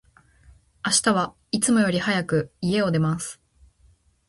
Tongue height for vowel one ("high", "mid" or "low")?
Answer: low